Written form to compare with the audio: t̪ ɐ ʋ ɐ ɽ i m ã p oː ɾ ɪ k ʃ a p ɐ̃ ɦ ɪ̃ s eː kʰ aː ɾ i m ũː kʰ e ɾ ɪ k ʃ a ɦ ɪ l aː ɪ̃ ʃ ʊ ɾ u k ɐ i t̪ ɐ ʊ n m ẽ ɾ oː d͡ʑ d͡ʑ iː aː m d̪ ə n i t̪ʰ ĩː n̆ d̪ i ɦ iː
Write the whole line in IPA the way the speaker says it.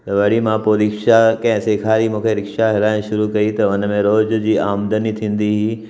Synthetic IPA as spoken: t̪ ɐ ʋ ɐ ɽ i m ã p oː ɾ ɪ k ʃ a k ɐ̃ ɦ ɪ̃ s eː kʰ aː ɾ i m ũː kʰ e ɾ ɪ k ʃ a ɦ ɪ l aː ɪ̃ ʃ ʊ ɾ u k ɐ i t̪ ɐ ʊ n m ẽ ɾ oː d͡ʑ d͡ʑ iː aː m d̪ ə n i t̪ʰ ĩː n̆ d̪ i ɦ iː